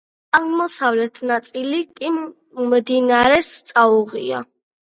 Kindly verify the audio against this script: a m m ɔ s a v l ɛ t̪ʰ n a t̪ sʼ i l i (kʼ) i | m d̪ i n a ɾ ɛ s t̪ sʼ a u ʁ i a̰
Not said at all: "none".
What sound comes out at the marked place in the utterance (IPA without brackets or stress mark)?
kʼ